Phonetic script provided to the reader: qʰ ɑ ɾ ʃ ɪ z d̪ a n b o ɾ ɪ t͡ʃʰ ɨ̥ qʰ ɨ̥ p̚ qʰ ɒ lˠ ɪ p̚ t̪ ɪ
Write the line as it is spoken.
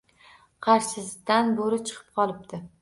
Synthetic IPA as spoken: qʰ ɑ ɾ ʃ ɪ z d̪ a n b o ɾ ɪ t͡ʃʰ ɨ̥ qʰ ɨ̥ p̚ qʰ ɒ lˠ ɪ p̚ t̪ ɪ